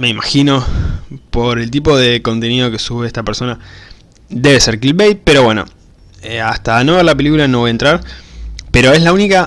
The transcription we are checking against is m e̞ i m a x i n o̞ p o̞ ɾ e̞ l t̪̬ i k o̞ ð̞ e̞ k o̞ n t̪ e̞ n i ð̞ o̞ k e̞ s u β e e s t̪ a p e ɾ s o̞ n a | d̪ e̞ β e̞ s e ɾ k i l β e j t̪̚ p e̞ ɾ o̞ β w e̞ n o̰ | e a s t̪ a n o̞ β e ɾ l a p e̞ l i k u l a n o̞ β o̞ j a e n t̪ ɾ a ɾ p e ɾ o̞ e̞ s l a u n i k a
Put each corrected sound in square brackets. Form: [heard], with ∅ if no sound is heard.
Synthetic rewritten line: m e̞ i m a x i n o̞ p o̞ ɾ e̞ l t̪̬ i [p] o̞ ð̞ e̞ k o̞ n t̪ e̞ n i ð̞ o̞ k e̞ s u β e e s t̪ a p e ɾ s o̞ n a | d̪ e̞ β e̞ s e ɾ k i l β e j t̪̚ p e̞ ɾ o̞ β w e̞ n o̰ | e a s t̪ a n o̞ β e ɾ l a p e̞ l i k u l a n o̞ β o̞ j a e n t̪ ɾ a ɾ p e ɾ o̞ e̞ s l a u n i k a